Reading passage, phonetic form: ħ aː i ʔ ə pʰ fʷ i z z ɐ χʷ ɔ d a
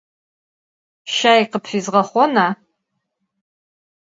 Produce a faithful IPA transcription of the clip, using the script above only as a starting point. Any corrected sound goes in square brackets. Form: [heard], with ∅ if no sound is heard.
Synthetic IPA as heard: [ʃ] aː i [q] ə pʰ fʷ i z [ʁ] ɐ χʷ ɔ [n] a